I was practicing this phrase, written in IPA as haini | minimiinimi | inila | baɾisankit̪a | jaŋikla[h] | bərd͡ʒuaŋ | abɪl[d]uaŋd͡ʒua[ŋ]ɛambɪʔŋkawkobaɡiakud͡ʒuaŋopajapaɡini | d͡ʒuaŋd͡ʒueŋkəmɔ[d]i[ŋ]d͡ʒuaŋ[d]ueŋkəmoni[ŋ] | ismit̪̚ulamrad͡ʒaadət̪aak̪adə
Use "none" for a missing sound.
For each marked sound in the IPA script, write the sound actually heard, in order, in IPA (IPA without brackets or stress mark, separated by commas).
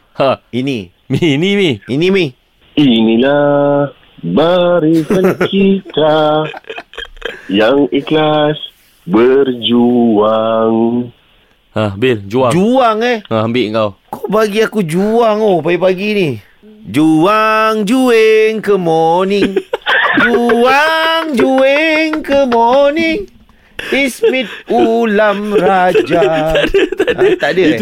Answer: s, d͡ʒ, ŋ, n, ŋ, d͡ʒ, ŋ